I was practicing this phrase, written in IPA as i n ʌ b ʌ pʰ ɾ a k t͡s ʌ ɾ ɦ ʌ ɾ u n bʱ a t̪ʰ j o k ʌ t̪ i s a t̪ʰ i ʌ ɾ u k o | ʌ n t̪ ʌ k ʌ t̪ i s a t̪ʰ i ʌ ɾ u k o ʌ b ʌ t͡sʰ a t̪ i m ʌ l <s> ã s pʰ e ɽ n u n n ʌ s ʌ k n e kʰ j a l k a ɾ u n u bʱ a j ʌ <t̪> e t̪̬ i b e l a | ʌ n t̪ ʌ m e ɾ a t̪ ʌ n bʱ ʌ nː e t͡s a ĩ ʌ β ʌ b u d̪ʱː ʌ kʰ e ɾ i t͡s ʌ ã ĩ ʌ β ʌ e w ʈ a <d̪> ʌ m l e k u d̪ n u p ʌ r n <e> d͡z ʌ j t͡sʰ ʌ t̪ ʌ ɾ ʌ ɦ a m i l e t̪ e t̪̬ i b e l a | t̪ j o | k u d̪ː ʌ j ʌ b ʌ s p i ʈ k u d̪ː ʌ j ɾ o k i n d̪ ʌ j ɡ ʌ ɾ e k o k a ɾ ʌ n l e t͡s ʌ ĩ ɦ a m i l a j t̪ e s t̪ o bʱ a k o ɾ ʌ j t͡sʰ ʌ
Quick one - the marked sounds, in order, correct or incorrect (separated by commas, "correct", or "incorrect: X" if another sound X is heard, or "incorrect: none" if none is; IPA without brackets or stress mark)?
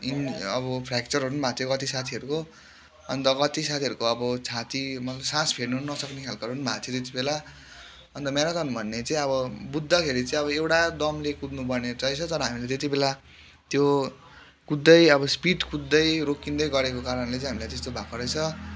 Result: correct, correct, correct, correct